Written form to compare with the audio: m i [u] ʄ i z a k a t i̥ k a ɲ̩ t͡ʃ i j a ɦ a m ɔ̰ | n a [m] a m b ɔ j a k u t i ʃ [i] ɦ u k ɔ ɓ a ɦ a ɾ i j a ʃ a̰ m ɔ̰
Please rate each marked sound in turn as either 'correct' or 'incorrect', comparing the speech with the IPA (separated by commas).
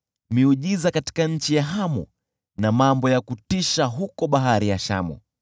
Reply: correct, correct, incorrect